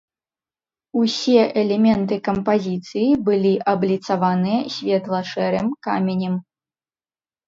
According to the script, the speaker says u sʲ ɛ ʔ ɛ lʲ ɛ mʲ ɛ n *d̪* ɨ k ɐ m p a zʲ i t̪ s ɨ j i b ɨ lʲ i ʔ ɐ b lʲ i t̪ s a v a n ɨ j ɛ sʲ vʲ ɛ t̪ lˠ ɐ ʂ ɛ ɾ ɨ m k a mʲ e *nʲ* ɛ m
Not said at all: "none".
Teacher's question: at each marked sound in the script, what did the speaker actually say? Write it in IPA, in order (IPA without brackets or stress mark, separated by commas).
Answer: t̪, nʲ